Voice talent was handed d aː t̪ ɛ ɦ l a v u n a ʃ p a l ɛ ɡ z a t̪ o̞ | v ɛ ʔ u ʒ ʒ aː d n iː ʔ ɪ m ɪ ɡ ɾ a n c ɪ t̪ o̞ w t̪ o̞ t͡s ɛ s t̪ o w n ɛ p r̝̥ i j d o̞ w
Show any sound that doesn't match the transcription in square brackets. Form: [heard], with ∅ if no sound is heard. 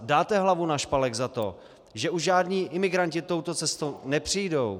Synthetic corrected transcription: d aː t̪ ɛ ɦ l a v u n a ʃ p a l ɛ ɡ z a t̪ o̞ | [ʒ] ɛ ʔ u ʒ ʒ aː d [ɲ] iː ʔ ɪ m ɪ ɡ ɾ a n c ɪ t̪ o̞ w t̪ o̞ t͡s ɛ s t̪ o w n ɛ p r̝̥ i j d o̞ w